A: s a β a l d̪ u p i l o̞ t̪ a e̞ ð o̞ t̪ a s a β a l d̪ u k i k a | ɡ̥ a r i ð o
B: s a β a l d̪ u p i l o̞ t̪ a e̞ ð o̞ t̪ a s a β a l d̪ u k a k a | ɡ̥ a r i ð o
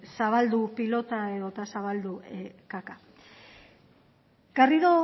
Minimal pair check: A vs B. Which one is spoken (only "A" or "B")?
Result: B